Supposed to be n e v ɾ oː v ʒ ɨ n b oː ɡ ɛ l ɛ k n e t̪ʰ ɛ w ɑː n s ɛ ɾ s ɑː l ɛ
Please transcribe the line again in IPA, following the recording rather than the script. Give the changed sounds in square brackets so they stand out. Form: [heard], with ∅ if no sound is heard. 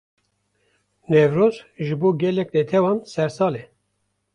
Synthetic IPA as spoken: n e v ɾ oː [z] ʒ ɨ [∅] b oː ɡ ɛ l ɛ k n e t̪ʰ ɛ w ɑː n s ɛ ɾ s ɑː l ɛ